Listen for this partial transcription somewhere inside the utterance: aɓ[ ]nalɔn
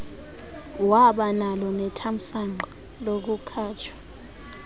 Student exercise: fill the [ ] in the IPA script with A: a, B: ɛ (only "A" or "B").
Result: A